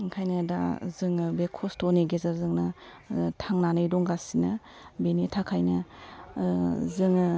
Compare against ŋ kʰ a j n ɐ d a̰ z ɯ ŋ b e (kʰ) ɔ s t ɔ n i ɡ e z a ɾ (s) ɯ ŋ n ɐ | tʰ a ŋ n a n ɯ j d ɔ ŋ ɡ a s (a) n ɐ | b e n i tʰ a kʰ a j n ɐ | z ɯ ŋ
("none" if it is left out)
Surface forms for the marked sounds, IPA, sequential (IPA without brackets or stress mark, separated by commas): kʰ, z, i